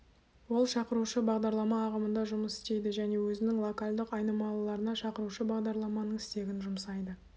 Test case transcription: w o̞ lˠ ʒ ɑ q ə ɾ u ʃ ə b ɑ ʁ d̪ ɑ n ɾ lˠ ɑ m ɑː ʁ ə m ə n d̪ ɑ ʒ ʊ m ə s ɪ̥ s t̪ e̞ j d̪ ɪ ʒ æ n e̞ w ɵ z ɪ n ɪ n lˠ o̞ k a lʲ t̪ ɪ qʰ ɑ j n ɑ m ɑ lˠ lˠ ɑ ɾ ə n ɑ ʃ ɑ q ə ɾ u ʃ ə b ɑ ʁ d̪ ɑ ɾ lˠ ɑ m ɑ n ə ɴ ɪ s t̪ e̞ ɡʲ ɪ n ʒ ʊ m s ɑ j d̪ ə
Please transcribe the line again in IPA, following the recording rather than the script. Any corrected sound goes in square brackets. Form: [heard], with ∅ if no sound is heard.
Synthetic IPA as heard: w o̞ lˠ [ʃ] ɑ q ə ɾ u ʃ ə b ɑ ʁ d̪ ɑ [∅] ɾ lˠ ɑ m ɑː ʁ ə m ə n d̪ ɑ ʒ ʊ m ə s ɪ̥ s t̪ e̞ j d̪ ɪ ʒ æ n e̞ w ɵ z ɪ n ɪ [ŋ] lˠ o̞ k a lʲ [d̪] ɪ [q] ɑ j n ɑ m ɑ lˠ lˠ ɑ ɾ ə n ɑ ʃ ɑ q ə ɾ u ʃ ə b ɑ ʁ d̪ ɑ ɾ lˠ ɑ m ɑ n ə ɴ ɪ s t̪ e̞ ɡʲ ɪ n ʒ ʊ m s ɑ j d̪ ə

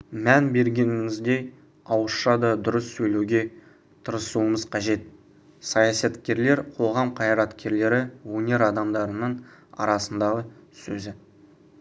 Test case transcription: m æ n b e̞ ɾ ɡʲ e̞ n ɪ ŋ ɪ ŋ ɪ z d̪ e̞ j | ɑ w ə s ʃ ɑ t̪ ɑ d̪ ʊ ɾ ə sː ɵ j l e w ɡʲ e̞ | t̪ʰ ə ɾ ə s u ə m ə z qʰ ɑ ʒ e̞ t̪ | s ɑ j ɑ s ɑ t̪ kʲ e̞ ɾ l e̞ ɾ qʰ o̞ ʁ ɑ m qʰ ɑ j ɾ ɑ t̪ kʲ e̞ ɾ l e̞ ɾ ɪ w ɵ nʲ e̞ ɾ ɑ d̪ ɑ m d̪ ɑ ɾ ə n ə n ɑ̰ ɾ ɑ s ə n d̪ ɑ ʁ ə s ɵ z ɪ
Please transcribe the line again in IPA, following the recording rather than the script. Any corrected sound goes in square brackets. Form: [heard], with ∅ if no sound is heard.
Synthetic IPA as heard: m æ n b e̞ ɾ ɡʲ e̞ n ɪ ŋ ɪ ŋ ɪ z d̪ e̞ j | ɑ w ə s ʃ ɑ [d̪] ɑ d̪ ʊ ɾ ə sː ɵ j l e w ɡʲ e̞ | t̪ʰ ə ɾ ə s u ə m ə z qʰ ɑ ʒ e̞ t̪ | s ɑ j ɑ s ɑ t̪ kʲ e̞ ɾ l e̞ ɾ qʰ o̞ ʁ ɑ m qʰ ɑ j ɾ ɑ t̪ kʲ e̞ ɾ l e̞ ɾ ɪ w ɵ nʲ e̞ ɾ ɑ d̪ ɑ m d̪ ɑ ɾ ə n ə [ɴ] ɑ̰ ɾ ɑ s ə n d̪ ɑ ʁ ə s ɵ z ɪ

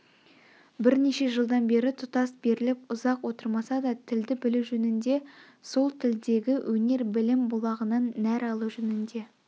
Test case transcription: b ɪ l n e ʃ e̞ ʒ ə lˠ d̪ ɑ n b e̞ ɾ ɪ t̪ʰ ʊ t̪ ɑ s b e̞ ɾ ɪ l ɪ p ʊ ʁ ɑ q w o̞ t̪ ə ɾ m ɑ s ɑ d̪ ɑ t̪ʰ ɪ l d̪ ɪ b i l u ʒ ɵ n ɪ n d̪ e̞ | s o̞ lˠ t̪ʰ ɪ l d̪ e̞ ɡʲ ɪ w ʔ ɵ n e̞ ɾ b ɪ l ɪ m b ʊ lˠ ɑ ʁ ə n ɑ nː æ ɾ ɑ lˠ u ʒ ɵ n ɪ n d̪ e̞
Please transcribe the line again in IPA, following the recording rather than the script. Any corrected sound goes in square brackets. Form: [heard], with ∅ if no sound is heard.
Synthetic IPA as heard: b ɪ [ɾ] n e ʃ e̞ ʒ ə lˠ d̪ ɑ n b e̞ ɾ ɪ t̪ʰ ʊ t̪ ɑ s b e̞ ɾ ɪ l ɪ p ʊ [z] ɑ q w o̞ t̪ ə ɾ m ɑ s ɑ d̪ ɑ t̪ʰ ɪ l d̪ ɪ b [ɪ] l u ʒ ɵ n ɪ n d̪ e̞ | s o̞ lˠ t̪ʰ ɪ l d̪ e̞ ɡʲ ɪ w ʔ ɵ n e̞ ɾ b ɪ l ɪ m b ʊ lˠ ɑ ʁ ə n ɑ nː æ ɾ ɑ lˠ u ʒ ɵ n ɪ n d̪ e̞

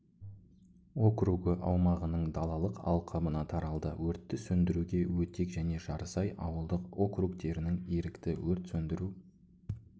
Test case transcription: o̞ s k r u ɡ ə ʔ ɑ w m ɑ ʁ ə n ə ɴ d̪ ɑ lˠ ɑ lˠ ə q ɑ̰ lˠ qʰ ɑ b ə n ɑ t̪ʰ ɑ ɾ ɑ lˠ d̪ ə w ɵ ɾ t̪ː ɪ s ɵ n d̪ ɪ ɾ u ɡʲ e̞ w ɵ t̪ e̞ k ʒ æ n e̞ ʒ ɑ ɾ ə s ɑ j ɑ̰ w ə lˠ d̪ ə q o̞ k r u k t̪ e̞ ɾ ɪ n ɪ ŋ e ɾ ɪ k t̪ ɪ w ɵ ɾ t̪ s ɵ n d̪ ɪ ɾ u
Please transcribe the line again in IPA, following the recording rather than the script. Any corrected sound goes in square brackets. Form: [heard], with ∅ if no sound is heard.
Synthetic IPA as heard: o̞ [∅] k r u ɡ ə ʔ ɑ w m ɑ ʁ ə n ə ɴ d̪ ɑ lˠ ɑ lˠ ə q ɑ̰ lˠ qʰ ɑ b ə n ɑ t̪ʰ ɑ ɾ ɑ lˠ d̪ ə w ɵ ɾ t̪ː ɪ s ɵ n d̪ ɪ ɾ u ɡʲ e̞ w ɵ t̪ e̞ k ʒ æ n e̞ ʒ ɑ ɾ ə s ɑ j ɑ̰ w ə lˠ d̪ ə q o̞ k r u k t̪ e̞ ɾ ɪ n ɪ ŋ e ɾ ɪ k t̪ ɪ w ɵ ɾ t̪ s ɵ n d̪ ɪ ɾ u

